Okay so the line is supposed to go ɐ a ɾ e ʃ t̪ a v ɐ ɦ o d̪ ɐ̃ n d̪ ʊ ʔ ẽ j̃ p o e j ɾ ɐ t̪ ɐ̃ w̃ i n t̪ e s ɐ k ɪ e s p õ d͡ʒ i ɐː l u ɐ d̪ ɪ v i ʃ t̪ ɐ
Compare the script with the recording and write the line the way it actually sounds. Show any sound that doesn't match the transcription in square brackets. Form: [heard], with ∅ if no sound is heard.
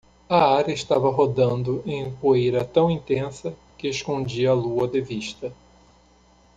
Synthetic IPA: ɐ a ɾ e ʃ t̪ a v ɐ ɦ o d̪ ɐ̃ n d̪ ʊ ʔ ẽ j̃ p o e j ɾ ɐ t̪ ɐ̃ w̃ [ĩ] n t̪ [ẽ] s ɐ k ɪ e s [k] õ d͡ʒ i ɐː l u ɐ d̪ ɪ v i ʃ t̪ ɐ